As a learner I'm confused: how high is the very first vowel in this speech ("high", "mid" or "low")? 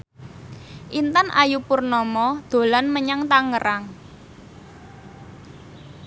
high